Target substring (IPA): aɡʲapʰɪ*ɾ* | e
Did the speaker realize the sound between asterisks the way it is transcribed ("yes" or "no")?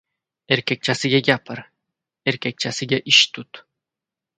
yes